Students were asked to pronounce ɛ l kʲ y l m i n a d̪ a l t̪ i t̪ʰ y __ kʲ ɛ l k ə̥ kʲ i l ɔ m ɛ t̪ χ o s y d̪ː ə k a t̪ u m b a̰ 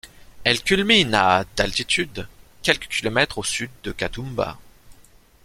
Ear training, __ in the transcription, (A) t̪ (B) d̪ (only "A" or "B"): B